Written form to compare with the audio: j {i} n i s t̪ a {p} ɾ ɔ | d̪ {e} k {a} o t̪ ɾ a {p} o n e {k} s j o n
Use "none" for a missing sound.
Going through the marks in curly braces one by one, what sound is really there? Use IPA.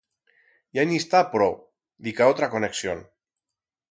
a, p, i, a, k, k

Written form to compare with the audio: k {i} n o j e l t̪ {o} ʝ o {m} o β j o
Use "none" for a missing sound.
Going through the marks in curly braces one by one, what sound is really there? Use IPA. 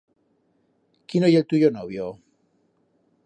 i, u, n

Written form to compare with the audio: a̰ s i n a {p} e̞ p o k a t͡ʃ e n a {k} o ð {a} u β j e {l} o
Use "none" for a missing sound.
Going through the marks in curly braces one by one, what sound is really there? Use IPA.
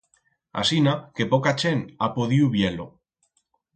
k, p, i, l

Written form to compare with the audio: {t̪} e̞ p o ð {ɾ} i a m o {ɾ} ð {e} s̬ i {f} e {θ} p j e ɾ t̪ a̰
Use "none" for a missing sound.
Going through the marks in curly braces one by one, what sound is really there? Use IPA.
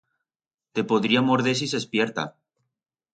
t̪, ɾ, ɾ, e, s, s

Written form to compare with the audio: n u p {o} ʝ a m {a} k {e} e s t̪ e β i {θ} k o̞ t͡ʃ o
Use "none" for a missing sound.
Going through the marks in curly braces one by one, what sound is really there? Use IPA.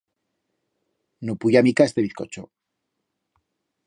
u, i, a, θ

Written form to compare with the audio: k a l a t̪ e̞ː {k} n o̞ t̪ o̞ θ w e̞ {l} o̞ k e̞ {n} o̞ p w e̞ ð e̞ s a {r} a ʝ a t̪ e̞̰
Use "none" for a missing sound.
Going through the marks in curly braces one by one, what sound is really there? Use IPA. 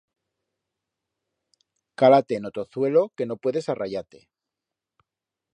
none, l, n, r

